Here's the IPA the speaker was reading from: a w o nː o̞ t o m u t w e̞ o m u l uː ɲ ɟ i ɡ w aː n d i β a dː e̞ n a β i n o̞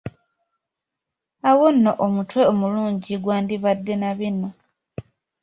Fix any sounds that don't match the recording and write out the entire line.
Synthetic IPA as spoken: a w o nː o̞ ʔ o m u t w e̞ o m u l uː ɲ ɟ i ɡ w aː n d i β a dː e̞ n a β i n o̞